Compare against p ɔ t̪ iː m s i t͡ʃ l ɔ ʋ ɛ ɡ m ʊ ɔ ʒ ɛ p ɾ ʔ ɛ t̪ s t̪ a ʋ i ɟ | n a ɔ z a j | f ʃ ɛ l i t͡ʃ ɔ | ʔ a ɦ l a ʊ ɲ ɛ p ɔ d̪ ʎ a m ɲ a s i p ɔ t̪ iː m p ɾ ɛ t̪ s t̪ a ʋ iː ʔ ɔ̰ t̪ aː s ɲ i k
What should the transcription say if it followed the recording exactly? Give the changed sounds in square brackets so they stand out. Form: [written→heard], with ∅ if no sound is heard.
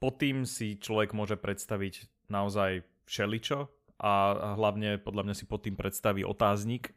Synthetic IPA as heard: p ɔ t̪ iː m s i t͡ʃ l ɔ ʋ ɛ ɡ m ʊ ɔ ʒ ɛ p ɾ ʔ ɛ t̪ s t̪ a ʋ i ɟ | n a ɔ z a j | f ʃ ɛ l i t͡ʃ ɔ | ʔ a ɦ l a ʊ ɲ ɛ p ɔ d̪ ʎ a m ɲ a s i p ɔ t̪ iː m p ɾ ɛ t̪ s t̪ a ʋ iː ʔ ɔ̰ t̪ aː [s→z] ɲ i k